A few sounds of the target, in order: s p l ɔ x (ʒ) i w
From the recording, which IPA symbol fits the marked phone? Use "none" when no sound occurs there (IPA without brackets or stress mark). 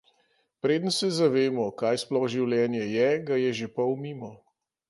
ʒ